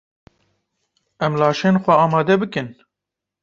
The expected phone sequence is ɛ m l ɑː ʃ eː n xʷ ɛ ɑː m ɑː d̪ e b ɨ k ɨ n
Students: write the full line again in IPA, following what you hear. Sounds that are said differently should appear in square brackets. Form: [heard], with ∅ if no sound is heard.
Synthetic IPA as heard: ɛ m l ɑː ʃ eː n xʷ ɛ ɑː m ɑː d̪ [ɛ] b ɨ k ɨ n